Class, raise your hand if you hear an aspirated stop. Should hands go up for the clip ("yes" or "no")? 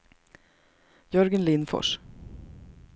no